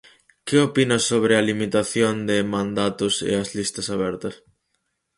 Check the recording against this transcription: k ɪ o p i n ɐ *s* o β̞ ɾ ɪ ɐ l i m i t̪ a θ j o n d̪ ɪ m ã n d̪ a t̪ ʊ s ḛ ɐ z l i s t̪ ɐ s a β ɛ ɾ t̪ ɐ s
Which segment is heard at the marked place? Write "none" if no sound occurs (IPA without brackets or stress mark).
s